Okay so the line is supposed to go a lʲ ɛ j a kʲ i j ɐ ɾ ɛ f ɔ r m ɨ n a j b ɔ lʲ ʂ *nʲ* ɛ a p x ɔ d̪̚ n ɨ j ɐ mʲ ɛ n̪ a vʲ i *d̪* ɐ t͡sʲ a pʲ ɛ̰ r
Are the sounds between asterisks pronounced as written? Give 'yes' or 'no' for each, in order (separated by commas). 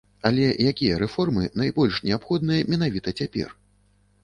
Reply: yes, no